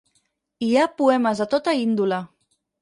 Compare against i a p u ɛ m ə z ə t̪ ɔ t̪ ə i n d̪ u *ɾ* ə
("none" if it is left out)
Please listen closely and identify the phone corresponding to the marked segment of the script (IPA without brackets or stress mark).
l